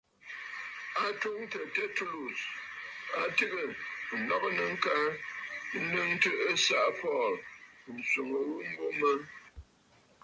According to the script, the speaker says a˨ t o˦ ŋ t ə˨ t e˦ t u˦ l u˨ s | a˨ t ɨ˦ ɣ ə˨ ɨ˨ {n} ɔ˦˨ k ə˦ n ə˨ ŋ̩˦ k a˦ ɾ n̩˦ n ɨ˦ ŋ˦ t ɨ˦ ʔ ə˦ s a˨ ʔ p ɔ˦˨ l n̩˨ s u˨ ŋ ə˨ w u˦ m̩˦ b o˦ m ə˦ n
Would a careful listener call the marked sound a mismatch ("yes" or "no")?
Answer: no